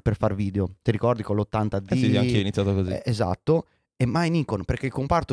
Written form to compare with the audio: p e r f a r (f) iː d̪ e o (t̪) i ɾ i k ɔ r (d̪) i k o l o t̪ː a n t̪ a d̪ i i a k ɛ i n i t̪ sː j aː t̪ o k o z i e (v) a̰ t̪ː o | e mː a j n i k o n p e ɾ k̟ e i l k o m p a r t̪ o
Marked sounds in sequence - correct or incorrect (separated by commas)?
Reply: incorrect, correct, correct, incorrect